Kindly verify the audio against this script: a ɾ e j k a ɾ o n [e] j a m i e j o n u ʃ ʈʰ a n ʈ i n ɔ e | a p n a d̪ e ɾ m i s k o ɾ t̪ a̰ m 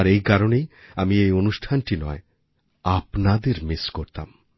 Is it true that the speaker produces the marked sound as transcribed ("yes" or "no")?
yes